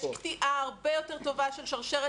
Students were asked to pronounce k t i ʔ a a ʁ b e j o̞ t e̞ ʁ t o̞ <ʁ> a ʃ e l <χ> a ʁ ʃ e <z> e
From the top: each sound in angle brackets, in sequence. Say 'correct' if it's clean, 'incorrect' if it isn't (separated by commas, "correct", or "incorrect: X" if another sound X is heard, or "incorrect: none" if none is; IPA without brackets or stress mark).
incorrect: v, incorrect: ʃ, incorrect: ʁ